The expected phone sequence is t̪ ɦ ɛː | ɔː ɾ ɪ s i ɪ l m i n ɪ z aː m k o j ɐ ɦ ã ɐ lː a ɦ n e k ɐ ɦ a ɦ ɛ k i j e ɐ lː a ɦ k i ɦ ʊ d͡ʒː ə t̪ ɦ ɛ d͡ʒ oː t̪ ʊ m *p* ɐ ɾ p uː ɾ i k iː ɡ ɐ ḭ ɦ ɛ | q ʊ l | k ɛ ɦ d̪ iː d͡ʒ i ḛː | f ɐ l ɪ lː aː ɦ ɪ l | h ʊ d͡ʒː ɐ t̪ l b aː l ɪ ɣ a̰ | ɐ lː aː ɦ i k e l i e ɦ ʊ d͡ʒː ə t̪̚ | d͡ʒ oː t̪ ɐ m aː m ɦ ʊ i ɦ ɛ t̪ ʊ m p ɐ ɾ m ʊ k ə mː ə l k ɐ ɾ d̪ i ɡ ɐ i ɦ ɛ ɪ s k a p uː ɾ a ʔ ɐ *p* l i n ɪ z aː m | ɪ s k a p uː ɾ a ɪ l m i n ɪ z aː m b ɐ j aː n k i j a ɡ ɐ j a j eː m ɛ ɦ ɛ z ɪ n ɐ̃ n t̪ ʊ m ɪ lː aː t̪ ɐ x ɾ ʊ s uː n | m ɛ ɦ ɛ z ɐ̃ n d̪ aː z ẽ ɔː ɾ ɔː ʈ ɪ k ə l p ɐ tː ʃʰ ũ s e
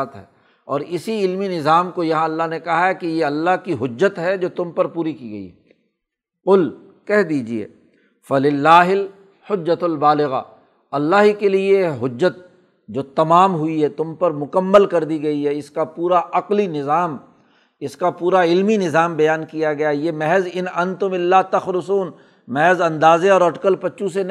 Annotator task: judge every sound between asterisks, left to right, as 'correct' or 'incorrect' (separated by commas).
correct, incorrect